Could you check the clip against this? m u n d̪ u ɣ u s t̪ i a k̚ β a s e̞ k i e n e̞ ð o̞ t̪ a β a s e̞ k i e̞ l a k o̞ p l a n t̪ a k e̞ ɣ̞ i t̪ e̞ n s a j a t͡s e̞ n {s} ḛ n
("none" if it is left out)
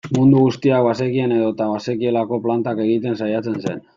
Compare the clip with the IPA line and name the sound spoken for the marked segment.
s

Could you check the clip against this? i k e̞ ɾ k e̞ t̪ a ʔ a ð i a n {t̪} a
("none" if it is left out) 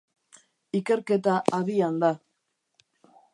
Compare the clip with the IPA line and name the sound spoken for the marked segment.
d̪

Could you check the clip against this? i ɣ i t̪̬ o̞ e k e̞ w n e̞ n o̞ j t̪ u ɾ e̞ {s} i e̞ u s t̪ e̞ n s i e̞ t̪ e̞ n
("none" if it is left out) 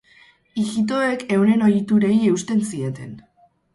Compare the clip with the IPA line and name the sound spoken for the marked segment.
none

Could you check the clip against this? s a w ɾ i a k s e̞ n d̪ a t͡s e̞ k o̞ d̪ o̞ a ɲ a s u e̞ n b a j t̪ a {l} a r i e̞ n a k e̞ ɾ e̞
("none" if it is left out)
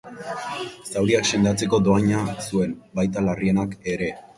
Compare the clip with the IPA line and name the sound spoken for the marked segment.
l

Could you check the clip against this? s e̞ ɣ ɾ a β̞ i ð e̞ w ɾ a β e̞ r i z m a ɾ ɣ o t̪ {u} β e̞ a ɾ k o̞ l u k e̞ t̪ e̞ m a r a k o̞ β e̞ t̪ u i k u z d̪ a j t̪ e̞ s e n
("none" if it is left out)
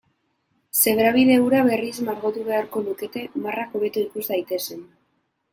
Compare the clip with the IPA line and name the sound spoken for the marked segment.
u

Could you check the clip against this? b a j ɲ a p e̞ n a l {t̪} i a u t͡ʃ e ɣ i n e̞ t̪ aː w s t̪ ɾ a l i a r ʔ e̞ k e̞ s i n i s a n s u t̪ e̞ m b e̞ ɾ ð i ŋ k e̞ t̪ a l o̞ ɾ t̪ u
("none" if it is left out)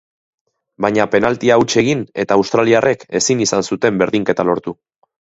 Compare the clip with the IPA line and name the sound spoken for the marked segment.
t̪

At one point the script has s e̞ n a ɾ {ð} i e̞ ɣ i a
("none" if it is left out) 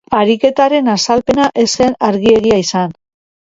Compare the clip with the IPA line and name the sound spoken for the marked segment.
ɣ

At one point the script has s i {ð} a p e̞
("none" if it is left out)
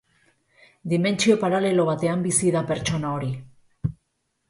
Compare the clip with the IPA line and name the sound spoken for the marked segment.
ð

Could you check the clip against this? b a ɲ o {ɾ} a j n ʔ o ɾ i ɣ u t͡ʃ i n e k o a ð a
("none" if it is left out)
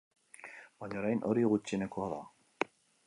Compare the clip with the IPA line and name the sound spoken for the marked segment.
ɾ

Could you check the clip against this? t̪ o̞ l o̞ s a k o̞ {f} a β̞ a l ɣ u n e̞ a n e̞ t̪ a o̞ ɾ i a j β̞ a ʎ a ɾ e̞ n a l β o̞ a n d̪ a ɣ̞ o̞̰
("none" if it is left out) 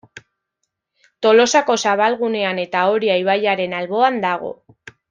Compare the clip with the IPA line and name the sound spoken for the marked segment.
s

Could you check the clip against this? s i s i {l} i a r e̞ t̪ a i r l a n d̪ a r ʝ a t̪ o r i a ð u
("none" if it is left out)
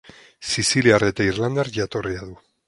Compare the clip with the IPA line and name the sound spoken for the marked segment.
l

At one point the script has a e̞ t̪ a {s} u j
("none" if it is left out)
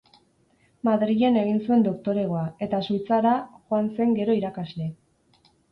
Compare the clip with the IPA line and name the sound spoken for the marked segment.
s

